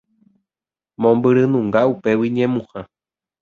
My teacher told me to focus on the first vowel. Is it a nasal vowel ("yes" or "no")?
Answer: yes